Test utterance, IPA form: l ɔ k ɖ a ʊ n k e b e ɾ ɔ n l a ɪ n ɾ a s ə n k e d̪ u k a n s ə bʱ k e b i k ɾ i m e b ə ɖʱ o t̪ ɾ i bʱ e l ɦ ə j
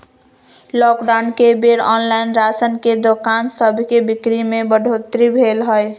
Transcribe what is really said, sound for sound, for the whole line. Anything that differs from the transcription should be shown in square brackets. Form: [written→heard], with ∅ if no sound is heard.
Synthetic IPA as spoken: l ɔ k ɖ a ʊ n k e b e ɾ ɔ n l a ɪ n ɾ a s ə n k e d̪ [u→o] k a n s ə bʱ k e b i k ɾ i m e b ə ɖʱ o t̪ ɾ i bʱ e l ɦ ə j